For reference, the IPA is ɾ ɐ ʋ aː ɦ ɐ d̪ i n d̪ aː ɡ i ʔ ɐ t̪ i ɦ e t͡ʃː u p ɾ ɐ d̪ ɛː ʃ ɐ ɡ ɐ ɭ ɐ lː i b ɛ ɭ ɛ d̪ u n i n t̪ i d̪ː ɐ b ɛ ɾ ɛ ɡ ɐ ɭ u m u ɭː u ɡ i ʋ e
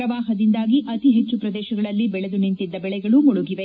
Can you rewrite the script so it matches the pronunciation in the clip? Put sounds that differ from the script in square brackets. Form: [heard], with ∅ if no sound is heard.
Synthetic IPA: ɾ ɐ ʋ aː ɦ ɐ d̪ i n d̪ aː ɡ i ʔ ɐ t̪ i ɦ e t͡ʃː u p ɾ ɐ d̪ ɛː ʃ ɐ ɡ ɐ ɭ ɐ lː i b ɛ ɭ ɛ d̪ u n i n t̪ i d̪ː ɐ b ɛ [ɭ] ɛ ɡ ɐ ɭ u m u [ɭ] u ɡ i ʋ e